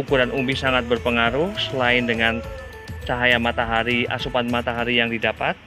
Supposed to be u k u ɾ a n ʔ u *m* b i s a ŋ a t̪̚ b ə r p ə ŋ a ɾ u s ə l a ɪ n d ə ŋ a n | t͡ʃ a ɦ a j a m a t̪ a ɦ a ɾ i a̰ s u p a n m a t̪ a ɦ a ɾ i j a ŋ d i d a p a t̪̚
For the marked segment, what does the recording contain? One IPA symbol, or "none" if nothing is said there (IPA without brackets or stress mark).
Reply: m